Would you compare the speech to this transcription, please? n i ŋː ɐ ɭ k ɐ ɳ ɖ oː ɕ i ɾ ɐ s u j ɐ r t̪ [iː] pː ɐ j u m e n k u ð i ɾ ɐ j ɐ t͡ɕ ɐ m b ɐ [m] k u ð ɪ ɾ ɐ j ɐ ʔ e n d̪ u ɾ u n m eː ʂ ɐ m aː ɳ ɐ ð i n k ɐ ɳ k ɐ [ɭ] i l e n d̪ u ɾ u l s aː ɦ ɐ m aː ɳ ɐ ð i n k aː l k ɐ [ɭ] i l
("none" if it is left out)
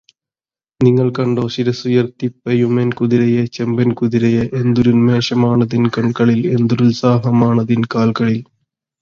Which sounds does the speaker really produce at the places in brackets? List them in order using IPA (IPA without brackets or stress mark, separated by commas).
i, n, ɭ, ɭ